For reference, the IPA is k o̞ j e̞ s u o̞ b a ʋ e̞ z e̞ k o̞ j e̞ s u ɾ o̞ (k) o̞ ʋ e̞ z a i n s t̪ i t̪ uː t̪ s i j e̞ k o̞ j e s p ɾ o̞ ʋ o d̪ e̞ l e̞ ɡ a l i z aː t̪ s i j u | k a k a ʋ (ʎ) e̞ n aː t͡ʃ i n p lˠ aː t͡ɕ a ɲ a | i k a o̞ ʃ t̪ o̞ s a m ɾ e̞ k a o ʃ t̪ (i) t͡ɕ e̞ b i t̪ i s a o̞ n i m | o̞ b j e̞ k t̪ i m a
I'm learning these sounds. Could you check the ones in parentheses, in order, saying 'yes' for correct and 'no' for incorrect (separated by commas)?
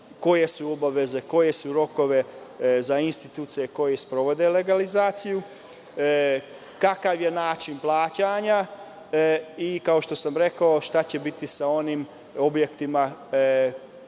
yes, no, no